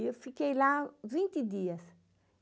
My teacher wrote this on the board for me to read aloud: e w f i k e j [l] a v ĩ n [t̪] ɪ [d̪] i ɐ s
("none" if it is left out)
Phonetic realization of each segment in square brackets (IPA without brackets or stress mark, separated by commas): l, t̪, d̪